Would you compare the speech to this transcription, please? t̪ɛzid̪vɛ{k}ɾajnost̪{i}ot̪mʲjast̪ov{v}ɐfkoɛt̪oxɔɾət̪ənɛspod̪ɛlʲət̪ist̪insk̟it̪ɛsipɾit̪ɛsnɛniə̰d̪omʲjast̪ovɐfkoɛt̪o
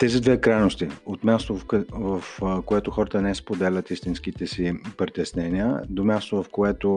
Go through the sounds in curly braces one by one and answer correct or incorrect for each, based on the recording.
correct, correct, correct

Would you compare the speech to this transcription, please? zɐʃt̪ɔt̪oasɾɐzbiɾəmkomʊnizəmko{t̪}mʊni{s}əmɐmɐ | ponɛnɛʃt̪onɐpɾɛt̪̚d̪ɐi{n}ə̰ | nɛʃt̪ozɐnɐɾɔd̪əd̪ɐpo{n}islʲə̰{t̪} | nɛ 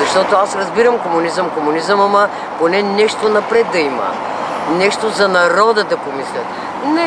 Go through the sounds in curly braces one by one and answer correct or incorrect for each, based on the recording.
incorrect: none, incorrect: z, incorrect: m, incorrect: m, correct

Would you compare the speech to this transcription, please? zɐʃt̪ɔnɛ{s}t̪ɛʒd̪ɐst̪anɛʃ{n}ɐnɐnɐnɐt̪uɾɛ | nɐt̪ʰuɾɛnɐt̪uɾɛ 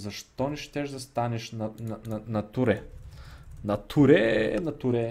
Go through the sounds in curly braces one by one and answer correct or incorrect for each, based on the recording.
incorrect: ʃ, correct

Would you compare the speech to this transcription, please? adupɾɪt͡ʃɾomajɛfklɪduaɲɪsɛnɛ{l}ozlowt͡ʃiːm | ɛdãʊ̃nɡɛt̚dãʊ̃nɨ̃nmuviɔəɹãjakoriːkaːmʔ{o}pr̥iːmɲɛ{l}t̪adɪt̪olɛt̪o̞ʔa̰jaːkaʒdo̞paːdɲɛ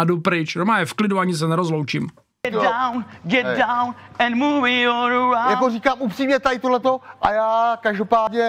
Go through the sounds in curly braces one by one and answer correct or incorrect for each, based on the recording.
incorrect: ɾ, incorrect: u, incorrect: none

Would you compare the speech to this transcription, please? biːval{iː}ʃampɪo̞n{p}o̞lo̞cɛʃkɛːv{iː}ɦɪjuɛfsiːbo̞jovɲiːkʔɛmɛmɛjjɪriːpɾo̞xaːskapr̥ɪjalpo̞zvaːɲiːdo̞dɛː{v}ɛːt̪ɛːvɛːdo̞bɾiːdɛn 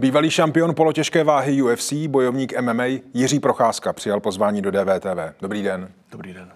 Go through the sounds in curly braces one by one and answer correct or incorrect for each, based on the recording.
correct, correct, incorrect: aː, correct

